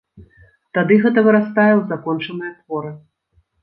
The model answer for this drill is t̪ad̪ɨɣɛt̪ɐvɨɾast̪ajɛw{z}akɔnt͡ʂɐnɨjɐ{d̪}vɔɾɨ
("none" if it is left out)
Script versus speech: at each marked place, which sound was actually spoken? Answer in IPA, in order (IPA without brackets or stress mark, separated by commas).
z, t̪